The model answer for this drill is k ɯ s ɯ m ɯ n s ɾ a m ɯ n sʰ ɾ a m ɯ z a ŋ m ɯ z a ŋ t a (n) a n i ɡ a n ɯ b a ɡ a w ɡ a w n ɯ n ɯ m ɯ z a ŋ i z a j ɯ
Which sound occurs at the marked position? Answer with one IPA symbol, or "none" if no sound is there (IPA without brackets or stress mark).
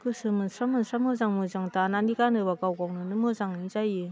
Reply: n